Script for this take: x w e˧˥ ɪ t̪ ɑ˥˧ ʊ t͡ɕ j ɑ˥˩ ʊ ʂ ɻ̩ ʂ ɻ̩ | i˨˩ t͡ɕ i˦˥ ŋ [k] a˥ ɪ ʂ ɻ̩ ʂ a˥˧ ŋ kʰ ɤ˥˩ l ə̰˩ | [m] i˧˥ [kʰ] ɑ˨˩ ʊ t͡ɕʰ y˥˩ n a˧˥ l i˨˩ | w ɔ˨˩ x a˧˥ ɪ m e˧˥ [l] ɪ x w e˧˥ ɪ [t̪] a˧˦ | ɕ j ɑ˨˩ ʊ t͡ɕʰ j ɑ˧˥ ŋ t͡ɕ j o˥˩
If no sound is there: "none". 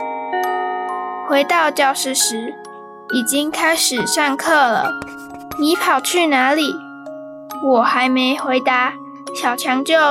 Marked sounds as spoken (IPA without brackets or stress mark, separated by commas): kʰ, n, pʰ, none, t̪